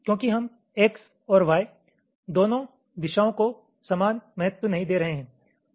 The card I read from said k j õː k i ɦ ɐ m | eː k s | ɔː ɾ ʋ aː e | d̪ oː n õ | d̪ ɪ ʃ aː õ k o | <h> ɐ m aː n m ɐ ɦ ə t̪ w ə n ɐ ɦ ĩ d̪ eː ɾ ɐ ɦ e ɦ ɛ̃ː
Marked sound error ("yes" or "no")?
yes